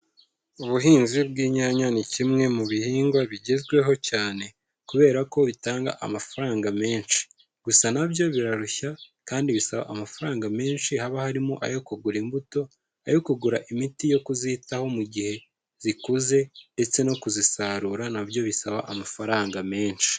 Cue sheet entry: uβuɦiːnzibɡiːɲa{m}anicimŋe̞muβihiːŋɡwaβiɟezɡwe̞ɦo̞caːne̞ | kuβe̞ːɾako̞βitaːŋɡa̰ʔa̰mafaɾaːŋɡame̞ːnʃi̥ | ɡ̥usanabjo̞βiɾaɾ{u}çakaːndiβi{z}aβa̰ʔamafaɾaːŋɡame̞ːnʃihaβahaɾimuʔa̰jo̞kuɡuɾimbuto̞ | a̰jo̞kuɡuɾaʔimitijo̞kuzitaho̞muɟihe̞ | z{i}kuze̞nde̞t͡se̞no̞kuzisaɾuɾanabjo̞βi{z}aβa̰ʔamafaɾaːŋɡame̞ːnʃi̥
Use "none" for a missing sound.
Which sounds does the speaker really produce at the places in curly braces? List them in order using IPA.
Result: ɲ, u, s, i, s

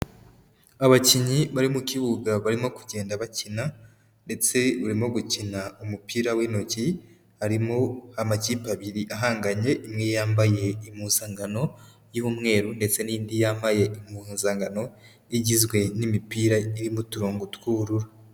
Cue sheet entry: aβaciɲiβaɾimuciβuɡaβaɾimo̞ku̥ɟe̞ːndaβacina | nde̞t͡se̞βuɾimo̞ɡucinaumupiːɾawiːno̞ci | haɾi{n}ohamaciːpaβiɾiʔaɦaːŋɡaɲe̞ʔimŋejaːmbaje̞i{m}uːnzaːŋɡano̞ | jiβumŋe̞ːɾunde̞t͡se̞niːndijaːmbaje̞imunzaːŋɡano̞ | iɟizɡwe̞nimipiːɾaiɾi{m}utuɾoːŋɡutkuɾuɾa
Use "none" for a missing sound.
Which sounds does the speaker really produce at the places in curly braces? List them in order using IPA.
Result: m, m, m

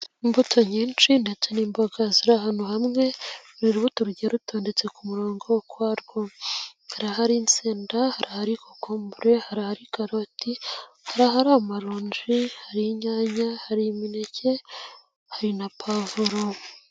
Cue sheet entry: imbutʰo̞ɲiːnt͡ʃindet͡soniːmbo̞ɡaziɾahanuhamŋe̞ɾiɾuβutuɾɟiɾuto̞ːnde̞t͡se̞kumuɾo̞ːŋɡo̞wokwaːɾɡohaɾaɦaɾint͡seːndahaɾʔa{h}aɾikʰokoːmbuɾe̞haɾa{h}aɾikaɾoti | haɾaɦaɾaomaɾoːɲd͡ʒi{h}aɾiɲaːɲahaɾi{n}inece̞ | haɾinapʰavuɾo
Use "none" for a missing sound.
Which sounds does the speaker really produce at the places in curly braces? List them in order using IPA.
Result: h, h, h, m

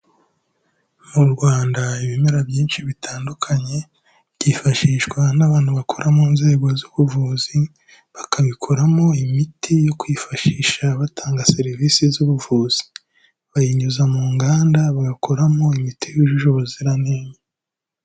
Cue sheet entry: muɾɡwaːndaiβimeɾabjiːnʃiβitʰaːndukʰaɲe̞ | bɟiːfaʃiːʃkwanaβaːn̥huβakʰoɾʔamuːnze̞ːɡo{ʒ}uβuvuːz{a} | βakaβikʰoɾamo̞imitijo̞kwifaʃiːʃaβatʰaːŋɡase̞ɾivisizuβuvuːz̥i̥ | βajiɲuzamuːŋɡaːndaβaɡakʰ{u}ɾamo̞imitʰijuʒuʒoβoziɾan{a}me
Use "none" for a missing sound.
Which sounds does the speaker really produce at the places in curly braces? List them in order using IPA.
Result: z, i, o, e

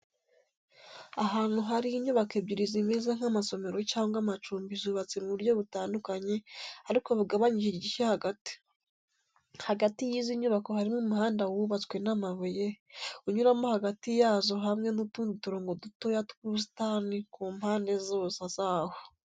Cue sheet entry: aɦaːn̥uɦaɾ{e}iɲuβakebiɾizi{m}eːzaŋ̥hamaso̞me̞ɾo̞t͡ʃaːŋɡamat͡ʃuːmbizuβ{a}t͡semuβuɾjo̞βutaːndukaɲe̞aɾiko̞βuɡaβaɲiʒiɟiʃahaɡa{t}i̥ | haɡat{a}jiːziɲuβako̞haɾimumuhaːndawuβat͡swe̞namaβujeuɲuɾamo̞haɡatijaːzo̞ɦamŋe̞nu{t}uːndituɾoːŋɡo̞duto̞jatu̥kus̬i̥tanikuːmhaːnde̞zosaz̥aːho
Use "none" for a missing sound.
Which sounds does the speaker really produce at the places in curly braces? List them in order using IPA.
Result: i, m, a, t, i, t

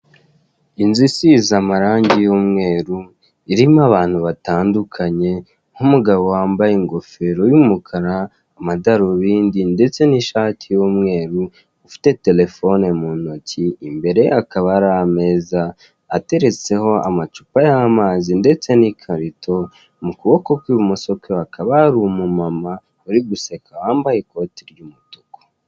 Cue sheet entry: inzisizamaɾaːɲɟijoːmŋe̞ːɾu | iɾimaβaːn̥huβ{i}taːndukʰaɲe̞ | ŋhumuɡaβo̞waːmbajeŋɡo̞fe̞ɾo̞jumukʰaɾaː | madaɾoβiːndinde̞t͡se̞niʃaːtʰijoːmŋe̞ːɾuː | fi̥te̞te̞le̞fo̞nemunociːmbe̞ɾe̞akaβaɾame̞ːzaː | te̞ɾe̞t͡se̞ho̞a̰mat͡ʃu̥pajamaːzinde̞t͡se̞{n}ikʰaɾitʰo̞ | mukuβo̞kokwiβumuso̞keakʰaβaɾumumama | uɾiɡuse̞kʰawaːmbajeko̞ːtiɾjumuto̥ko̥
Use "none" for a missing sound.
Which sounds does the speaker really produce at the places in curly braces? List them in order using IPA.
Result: a, n

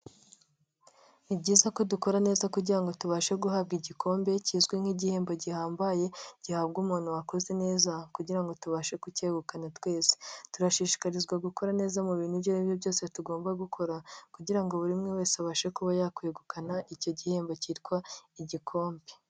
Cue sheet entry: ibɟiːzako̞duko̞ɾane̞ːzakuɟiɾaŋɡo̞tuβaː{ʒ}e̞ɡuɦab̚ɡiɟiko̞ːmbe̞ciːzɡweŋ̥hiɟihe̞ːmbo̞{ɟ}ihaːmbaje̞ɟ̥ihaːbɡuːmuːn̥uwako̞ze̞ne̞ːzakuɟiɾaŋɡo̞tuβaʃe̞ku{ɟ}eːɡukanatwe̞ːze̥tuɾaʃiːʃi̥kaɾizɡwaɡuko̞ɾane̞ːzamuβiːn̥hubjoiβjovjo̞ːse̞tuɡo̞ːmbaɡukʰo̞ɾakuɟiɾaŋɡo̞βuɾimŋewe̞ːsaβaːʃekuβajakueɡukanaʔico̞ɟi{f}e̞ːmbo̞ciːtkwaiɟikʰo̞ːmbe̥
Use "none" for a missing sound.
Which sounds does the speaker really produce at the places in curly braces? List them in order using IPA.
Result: ʃ, ɟ, c, h

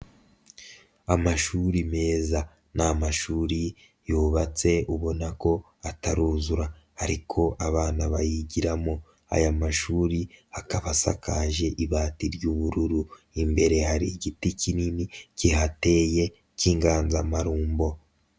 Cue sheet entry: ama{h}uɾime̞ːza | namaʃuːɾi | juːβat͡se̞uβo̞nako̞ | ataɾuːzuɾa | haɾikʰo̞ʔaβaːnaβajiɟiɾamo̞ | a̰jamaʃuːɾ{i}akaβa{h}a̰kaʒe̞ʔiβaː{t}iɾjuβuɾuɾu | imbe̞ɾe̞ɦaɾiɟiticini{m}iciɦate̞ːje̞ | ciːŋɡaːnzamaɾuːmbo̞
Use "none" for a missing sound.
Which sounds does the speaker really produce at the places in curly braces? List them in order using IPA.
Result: ʃ, i, s, t, n

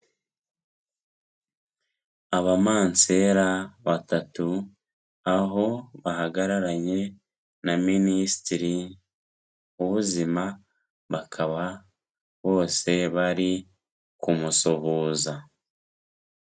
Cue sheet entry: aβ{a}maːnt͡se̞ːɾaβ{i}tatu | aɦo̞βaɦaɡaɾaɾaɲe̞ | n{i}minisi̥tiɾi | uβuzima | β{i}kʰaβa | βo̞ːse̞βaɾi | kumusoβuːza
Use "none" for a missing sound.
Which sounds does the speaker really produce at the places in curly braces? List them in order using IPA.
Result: a, a, a, a

